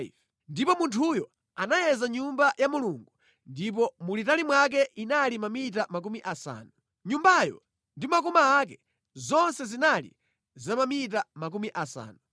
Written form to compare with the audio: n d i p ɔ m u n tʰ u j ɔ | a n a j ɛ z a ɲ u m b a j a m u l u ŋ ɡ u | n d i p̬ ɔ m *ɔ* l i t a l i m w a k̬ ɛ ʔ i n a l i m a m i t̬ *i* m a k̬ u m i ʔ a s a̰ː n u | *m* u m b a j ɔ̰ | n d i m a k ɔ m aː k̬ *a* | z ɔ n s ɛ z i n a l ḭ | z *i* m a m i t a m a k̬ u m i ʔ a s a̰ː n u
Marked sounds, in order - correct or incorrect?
incorrect: u, incorrect: a, incorrect: ɲ, incorrect: ɛ, incorrect: a

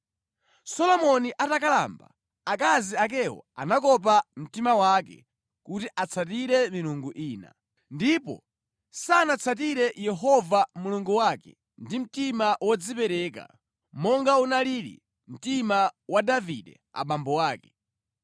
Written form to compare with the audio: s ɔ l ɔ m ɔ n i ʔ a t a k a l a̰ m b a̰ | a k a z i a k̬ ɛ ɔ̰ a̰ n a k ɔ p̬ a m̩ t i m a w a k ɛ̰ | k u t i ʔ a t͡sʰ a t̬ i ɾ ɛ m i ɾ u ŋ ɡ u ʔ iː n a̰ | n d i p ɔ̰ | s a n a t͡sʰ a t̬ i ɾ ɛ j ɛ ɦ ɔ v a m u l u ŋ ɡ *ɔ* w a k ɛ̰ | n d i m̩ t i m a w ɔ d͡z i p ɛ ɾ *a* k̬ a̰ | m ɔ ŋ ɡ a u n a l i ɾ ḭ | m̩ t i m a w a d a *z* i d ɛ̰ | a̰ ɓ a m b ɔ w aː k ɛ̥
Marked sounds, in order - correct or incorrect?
incorrect: u, incorrect: ɛ, incorrect: v

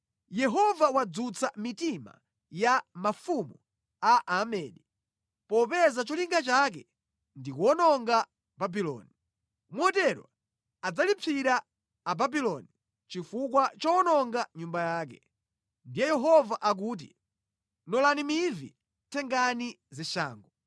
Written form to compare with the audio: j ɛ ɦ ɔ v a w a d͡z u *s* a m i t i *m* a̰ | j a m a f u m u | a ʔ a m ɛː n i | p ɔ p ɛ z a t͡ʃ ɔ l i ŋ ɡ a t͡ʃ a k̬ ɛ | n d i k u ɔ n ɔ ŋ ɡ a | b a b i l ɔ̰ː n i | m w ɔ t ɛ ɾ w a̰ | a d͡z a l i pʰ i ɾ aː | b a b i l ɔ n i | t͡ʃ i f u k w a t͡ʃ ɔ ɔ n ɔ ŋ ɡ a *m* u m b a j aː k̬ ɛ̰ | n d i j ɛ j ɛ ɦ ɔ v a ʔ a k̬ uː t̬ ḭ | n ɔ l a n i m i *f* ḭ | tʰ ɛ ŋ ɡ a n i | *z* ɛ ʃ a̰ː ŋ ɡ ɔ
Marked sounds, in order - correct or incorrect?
incorrect: t͡s, correct, incorrect: ɲ, incorrect: v, correct

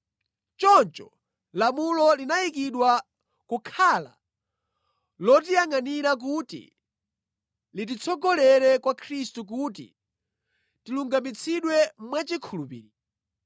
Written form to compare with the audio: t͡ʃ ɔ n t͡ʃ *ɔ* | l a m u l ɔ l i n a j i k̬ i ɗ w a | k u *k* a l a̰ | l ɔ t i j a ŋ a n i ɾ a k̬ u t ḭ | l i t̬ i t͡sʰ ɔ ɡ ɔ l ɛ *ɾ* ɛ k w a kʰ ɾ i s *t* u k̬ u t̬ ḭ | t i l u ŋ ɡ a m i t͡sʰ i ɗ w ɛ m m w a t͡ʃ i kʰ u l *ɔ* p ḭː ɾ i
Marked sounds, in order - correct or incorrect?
correct, incorrect: kʰ, correct, correct, incorrect: u

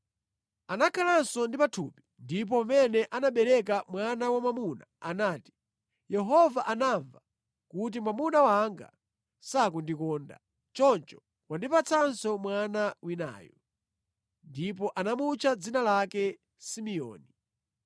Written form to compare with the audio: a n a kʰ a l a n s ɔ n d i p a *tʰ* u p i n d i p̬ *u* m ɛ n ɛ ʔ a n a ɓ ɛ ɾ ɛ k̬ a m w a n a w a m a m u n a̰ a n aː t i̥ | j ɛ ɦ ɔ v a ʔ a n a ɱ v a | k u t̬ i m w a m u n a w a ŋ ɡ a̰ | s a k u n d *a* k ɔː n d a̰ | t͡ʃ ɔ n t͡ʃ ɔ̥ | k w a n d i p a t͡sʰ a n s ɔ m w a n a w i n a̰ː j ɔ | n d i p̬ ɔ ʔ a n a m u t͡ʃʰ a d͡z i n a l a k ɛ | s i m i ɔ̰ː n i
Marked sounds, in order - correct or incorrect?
correct, incorrect: ɔ, incorrect: i

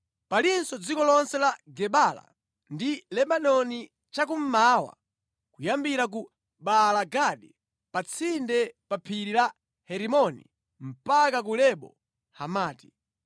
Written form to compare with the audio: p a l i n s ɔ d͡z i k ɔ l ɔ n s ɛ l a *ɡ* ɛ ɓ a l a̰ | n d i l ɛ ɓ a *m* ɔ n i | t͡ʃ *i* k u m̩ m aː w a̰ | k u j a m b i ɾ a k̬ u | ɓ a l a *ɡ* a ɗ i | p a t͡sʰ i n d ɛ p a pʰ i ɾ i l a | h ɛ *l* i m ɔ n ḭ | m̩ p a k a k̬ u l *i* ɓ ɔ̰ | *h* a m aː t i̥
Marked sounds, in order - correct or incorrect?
correct, incorrect: n, incorrect: a, correct, incorrect: ɾ, incorrect: ɛ, correct

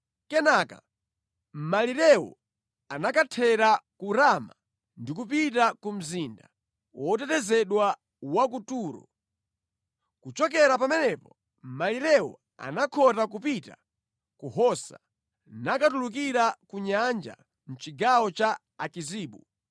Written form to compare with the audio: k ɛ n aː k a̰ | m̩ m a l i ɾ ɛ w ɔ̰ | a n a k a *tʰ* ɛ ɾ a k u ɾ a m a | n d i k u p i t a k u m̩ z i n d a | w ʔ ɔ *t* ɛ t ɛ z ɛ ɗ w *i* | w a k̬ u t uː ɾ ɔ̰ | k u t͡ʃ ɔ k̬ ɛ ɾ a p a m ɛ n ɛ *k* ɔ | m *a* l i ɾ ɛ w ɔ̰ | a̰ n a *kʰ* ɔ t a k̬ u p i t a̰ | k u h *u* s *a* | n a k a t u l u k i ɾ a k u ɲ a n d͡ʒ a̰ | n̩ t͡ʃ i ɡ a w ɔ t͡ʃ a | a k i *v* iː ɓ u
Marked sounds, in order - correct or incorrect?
correct, correct, incorrect: a, incorrect: p, correct, correct, incorrect: ɔ, correct, incorrect: z

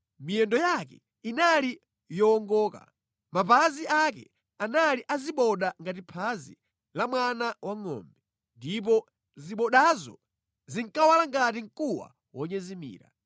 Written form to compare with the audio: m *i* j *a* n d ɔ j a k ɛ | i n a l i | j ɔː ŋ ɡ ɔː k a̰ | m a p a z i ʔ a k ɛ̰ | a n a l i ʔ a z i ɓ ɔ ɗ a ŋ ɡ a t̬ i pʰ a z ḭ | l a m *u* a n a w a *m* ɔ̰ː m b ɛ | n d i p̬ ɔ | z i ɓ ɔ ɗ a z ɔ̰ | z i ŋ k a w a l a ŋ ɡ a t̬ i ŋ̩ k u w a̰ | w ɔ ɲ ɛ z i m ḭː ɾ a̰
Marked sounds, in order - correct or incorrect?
correct, incorrect: ɛ, incorrect: w, incorrect: ŋ

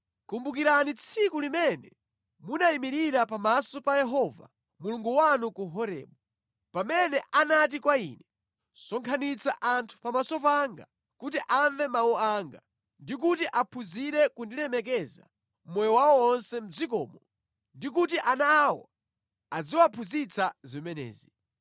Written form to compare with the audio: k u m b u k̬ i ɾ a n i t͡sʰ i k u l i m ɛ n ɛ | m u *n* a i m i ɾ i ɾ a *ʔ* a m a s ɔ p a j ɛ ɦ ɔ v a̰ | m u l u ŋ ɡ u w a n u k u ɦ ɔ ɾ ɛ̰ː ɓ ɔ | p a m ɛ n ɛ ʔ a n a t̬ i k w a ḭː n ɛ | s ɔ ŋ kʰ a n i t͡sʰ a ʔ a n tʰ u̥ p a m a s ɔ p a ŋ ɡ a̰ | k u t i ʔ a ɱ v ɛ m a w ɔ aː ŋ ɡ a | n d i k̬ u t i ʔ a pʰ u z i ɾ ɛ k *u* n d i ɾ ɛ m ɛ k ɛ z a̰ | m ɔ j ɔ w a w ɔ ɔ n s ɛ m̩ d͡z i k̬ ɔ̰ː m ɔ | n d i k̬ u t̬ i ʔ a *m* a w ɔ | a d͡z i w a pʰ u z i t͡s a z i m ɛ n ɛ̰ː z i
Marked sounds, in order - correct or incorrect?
correct, incorrect: p, correct, incorrect: n

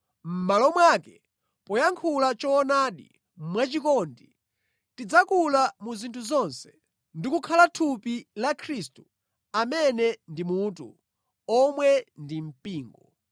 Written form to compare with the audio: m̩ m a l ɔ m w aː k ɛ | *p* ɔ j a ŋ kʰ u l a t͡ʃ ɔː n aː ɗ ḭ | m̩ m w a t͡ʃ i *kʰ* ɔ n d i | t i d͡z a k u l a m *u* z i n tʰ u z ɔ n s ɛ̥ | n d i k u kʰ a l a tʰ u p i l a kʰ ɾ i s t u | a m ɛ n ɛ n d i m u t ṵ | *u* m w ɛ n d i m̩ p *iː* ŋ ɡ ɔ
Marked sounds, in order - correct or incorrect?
correct, incorrect: k, correct, incorrect: ɔ, correct

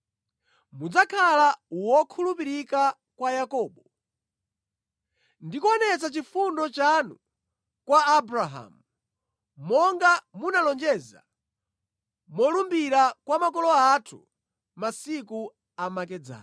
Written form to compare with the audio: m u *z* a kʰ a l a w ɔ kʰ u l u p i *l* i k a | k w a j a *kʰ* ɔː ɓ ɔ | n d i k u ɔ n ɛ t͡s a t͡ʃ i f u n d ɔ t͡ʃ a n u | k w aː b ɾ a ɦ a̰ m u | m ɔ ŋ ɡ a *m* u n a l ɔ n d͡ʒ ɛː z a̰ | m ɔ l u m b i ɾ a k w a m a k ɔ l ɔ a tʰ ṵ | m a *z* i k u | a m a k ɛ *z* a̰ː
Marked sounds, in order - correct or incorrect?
incorrect: d͡z, incorrect: ɾ, incorrect: k, correct, incorrect: s, incorrect: d͡z

